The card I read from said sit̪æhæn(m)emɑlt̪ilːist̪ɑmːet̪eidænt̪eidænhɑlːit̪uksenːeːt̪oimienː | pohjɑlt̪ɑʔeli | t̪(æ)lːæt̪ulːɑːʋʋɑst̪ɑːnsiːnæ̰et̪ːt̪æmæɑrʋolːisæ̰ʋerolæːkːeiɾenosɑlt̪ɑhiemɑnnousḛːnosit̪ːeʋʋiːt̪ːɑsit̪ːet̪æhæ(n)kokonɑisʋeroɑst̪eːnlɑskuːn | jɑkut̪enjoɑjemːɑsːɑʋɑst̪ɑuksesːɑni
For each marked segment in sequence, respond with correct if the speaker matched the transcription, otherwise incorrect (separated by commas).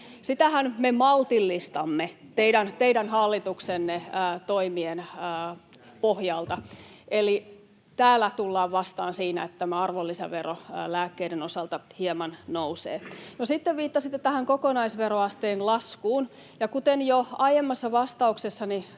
correct, incorrect, incorrect